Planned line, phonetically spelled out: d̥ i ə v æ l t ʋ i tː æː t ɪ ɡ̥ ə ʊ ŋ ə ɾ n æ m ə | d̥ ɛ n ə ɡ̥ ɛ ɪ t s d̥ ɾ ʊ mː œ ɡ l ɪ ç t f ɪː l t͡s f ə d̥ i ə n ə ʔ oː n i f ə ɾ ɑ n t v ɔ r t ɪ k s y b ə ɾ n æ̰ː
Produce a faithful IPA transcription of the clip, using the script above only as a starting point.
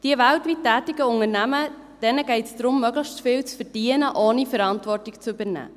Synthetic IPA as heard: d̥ i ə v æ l t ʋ i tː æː t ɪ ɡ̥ ə ʊ ŋ ə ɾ n æ m ə | d̥ ɛ n ə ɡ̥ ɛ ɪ t s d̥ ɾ ʊ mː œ ɡ l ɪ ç t f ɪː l t͡s f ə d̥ i ə n ə ʔ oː n i f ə ɾ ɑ n t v ɔ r t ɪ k t͡s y b ə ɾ n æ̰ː